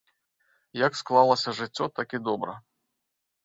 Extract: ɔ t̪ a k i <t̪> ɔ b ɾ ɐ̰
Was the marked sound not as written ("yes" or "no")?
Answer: yes